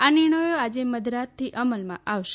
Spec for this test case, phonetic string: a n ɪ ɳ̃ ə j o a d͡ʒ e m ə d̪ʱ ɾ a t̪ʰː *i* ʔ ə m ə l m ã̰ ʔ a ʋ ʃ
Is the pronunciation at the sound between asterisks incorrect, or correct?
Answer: correct